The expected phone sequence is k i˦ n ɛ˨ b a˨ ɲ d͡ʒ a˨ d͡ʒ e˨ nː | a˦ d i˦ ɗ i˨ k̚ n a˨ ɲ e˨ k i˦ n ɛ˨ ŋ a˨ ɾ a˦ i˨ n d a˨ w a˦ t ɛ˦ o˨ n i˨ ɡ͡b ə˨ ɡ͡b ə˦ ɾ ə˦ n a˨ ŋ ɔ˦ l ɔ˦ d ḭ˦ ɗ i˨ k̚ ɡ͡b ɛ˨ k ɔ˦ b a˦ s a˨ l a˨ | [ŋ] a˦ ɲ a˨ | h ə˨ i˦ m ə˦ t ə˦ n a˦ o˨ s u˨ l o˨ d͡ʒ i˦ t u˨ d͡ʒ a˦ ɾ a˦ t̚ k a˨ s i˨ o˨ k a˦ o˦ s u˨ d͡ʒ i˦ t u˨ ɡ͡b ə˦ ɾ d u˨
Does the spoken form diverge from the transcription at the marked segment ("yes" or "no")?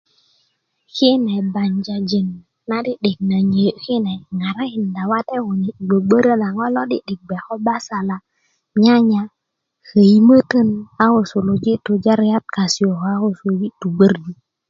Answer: yes